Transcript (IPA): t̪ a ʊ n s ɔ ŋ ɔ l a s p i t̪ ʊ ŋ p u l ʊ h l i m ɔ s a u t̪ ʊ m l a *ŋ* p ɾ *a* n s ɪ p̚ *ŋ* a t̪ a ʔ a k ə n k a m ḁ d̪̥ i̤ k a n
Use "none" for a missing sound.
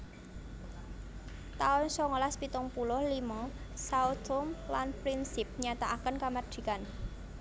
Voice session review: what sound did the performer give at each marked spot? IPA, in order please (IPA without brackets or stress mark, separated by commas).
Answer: n, i, ɲ